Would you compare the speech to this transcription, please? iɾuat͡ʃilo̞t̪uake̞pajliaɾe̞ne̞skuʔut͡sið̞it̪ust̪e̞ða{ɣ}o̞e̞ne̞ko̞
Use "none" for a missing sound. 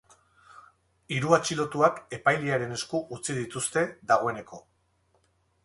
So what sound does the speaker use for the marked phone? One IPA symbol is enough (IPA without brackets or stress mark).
ɣ